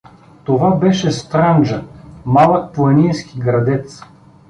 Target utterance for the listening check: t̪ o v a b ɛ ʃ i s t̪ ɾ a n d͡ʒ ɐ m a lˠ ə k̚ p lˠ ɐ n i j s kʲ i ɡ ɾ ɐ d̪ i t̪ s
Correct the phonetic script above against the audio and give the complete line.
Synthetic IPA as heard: t̪ o v a b ɛ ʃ ɛ s t̪ ɾ a n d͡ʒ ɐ m a lˠ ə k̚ p lˠ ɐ n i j s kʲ i ɡ ɾ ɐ d̪ ɛ t̪ s